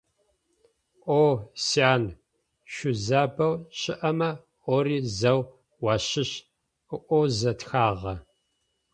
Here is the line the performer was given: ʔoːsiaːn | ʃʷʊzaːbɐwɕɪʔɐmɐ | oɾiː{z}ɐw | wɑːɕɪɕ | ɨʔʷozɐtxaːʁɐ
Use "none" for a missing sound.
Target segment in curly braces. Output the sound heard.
z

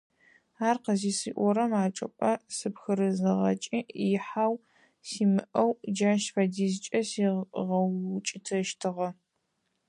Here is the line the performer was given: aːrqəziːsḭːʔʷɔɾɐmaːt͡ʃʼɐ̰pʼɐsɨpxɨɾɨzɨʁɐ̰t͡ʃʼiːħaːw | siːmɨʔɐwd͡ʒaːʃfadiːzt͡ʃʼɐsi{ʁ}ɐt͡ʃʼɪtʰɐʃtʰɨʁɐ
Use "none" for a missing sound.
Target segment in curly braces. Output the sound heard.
ʁ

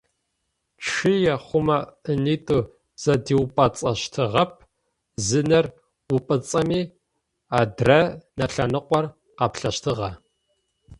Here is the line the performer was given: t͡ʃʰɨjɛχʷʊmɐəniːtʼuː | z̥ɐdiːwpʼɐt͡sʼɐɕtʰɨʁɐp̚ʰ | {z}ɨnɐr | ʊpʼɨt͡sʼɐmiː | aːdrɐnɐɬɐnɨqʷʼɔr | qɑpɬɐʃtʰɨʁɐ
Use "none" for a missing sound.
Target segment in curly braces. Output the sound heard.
z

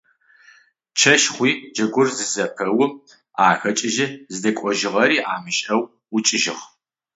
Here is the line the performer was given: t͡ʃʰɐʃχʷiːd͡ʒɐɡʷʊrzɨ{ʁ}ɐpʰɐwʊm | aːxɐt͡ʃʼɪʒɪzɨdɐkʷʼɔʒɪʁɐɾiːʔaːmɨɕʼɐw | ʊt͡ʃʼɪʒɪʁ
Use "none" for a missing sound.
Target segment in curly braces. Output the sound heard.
z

